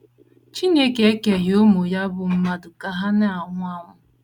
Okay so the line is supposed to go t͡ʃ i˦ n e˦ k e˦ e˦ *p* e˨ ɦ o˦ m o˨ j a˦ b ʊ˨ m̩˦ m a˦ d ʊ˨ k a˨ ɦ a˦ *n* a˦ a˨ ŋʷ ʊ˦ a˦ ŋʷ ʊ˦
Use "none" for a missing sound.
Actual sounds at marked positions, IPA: k, n

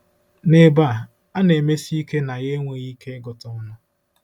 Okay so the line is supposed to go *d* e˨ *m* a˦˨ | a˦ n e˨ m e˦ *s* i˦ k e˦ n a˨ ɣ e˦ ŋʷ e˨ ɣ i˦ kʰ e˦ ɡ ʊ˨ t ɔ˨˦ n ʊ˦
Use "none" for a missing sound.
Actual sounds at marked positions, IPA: n, b, s

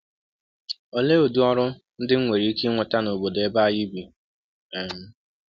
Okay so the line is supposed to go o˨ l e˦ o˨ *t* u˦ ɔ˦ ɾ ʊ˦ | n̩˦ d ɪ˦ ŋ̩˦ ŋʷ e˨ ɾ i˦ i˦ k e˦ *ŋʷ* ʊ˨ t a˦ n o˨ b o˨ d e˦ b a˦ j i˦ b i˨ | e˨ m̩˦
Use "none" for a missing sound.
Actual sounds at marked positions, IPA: d, ŋʷ

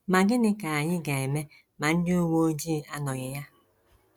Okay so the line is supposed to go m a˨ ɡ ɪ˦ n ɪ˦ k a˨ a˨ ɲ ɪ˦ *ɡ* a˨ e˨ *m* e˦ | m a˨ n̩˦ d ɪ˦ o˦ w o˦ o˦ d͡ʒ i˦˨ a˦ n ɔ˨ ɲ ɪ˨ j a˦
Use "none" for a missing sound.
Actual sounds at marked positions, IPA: ɡ, m

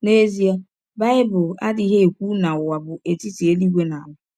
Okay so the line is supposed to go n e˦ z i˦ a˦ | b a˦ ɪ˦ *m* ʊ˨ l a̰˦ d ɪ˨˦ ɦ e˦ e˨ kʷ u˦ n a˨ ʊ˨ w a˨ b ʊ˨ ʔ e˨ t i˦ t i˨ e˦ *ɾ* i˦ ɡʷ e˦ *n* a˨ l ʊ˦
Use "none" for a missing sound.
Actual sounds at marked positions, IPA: b, l, n

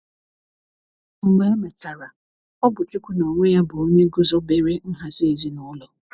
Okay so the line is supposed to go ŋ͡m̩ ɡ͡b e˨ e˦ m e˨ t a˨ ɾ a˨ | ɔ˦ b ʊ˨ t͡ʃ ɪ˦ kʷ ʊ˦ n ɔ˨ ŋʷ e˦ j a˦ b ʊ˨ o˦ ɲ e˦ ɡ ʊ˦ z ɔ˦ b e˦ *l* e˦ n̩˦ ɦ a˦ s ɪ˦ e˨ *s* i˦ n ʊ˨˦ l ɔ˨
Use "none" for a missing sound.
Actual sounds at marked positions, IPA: ɾ, z

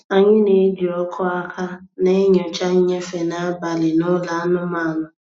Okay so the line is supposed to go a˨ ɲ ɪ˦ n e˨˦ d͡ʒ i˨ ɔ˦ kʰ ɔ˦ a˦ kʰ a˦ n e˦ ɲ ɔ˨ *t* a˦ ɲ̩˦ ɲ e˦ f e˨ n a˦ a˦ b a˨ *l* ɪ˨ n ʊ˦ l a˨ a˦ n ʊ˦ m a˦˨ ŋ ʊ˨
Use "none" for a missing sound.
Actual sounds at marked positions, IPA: t͡ʃ, l

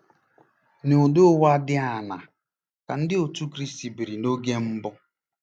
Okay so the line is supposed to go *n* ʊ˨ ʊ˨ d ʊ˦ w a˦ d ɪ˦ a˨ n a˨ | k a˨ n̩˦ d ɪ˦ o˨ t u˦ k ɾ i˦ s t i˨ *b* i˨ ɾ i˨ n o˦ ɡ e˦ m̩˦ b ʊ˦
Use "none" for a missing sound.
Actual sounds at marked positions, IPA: n, b

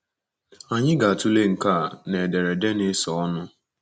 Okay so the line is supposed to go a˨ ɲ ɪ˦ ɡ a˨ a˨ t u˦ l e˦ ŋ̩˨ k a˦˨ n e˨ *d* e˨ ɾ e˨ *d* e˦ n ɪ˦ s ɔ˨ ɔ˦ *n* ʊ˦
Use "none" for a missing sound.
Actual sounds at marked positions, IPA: d, d, n

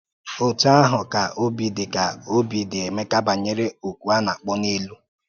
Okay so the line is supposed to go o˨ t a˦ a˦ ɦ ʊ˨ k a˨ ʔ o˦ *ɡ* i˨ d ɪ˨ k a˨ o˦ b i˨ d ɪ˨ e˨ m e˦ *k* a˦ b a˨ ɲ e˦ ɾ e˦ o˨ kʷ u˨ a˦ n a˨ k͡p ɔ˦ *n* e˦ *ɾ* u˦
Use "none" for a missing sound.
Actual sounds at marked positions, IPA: b, k, n, l

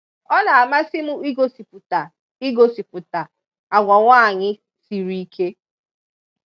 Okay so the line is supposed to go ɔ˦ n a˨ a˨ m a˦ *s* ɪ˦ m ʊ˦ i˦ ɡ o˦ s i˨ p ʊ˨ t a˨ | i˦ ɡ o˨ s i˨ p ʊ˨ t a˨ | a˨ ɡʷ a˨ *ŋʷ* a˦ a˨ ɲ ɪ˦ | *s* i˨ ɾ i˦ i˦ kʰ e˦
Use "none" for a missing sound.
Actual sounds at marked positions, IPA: s, ŋʷ, s

